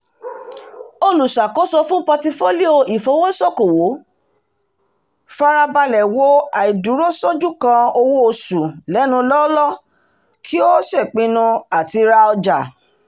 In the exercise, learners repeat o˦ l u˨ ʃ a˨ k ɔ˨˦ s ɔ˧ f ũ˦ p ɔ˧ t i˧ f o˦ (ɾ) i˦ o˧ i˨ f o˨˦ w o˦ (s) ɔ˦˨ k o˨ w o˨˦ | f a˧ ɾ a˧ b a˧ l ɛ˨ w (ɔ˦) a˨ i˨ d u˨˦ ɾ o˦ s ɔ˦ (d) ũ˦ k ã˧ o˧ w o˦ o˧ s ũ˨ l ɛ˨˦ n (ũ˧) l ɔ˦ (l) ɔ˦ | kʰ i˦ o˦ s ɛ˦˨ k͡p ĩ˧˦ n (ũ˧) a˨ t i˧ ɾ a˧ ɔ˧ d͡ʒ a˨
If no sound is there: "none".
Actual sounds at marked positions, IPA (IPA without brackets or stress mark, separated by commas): l, s, o˦, d͡ʒ, ũ˧, l, ũ˧